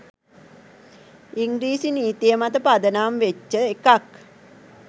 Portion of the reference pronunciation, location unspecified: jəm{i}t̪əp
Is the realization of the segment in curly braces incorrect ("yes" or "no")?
yes